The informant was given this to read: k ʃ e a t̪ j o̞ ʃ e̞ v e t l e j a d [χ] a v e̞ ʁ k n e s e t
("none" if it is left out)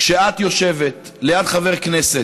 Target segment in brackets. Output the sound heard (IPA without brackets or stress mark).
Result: χ